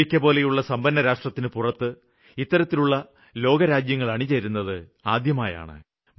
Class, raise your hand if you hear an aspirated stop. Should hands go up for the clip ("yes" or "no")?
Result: no